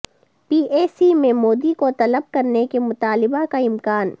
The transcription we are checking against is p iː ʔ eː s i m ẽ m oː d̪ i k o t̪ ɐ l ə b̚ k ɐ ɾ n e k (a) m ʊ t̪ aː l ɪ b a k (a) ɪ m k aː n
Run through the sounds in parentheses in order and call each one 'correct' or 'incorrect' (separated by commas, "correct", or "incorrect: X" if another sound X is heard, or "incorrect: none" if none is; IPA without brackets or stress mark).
incorrect: e, correct